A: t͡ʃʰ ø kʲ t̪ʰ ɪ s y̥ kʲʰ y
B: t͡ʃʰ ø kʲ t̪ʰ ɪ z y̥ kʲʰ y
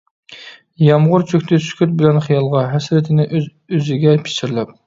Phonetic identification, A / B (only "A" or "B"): A